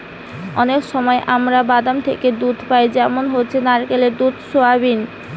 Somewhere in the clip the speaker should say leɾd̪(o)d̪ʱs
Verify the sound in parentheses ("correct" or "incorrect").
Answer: incorrect